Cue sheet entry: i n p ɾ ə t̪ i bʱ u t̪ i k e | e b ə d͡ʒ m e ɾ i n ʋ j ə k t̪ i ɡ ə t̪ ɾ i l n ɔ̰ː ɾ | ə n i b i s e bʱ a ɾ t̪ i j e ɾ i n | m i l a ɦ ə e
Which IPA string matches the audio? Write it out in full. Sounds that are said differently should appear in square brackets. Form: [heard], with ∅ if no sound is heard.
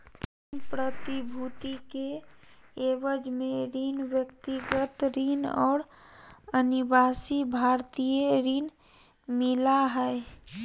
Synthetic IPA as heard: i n p ɾ ə t̪ i bʱ u t̪ i k e | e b ə d͡ʒ m e ɾ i n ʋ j ə k t̪ i ɡ ə t̪ ɾ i [∅] n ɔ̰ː ɾ | ə n i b [a] s [i] bʱ a ɾ t̪ i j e ɾ i n | m i l a ɦ ə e